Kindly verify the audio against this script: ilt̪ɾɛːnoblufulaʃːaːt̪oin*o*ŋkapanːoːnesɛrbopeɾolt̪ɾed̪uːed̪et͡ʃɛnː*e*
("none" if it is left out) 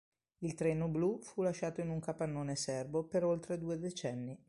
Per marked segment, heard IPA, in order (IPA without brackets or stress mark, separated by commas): u, i